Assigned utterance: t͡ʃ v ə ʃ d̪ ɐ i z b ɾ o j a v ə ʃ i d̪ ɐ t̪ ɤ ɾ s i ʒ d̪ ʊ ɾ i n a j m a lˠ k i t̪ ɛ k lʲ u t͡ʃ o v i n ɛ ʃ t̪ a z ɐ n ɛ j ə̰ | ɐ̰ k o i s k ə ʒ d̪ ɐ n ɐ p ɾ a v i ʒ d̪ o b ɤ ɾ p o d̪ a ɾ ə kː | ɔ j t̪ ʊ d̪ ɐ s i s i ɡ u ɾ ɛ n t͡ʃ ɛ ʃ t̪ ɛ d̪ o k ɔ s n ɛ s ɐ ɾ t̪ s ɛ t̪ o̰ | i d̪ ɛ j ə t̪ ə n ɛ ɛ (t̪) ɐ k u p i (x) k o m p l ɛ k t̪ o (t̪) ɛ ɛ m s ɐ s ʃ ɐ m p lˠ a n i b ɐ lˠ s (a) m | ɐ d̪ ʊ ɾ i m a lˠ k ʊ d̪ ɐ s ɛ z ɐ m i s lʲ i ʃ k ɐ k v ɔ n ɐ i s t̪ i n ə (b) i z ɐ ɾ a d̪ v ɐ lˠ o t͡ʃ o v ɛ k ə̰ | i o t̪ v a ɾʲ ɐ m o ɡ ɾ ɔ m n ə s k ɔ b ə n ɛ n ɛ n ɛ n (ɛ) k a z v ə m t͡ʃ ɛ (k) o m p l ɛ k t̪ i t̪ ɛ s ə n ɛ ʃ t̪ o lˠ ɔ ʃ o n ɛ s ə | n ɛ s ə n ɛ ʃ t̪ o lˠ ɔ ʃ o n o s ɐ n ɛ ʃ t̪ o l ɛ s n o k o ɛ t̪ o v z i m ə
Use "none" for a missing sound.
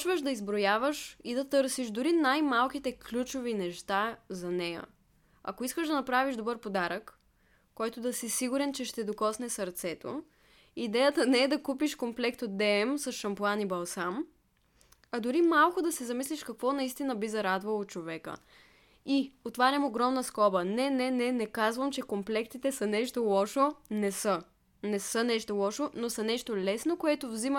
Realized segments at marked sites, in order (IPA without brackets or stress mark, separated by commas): d̪, ʃ, d̪, a, b, ɛ, k